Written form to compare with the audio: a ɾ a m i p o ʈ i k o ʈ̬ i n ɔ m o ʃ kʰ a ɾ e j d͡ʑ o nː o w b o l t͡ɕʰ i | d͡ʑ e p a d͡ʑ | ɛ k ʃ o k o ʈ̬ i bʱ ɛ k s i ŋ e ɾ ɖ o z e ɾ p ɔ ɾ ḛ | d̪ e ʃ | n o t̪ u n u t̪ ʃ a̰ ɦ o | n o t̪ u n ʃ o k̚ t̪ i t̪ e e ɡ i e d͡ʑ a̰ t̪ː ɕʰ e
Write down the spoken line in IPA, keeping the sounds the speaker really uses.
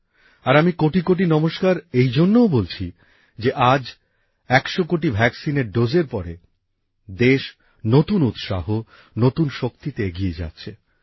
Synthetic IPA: a ɾ a m i k o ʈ i k o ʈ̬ i n ɔ m o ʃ k a ɾ e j d͡ʑ o nː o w b o l t͡ɕʰ i | d͡ʑ e ʔ a d͡ʑ | ɛ k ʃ o k o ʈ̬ i bʱ ɛ k s i n e ɾ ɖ o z e ɾ p ɔ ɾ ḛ | d̪ e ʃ | n o t̪ u n u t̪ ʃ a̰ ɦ o | n o t̪ u n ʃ o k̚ t̪ i t̪ e e ɡ i e d͡ʑ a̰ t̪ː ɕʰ e